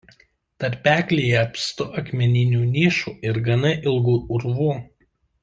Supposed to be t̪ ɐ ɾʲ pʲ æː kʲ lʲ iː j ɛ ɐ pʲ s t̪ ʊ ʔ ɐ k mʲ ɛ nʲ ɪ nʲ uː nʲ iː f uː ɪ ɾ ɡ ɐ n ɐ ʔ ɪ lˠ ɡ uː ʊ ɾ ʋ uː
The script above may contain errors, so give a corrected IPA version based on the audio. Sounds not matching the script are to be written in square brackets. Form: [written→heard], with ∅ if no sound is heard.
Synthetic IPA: t̪ ɐ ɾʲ pʲ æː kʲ lʲ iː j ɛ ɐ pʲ s t̪ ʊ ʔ ɐ k mʲ ɛ nʲ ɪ nʲ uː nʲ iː [f→ʃ] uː ɪ ɾ ɡ ɐ n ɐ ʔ ɪ lˠ ɡ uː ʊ ɾ ʋ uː